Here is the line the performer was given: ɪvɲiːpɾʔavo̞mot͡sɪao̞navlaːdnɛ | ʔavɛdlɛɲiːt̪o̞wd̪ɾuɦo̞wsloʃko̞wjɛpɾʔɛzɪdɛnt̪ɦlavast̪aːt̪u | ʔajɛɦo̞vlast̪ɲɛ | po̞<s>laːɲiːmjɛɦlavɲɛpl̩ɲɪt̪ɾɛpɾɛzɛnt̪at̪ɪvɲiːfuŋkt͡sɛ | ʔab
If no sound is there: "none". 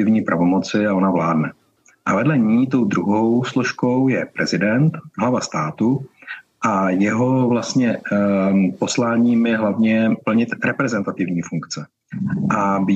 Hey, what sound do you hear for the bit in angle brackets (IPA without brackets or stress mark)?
s